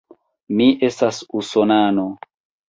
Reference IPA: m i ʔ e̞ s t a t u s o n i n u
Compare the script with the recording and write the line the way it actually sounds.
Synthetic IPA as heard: m i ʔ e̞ s t a s u s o n a n o